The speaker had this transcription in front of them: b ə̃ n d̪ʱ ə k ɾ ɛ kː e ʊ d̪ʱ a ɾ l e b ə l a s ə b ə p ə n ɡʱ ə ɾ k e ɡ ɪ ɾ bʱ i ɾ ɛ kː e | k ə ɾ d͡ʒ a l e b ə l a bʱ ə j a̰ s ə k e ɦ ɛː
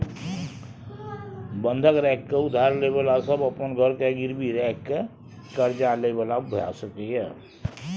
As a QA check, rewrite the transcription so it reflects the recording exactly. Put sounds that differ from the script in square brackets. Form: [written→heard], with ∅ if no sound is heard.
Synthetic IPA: b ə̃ n d̪ʱ ə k ɾ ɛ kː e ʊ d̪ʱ a ɾ l e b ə l a s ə b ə p ə n ɡʱ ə ɾ k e ɡ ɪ ɾ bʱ i ɾ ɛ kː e | k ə ɾ d͡ʒ a l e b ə l a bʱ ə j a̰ s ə k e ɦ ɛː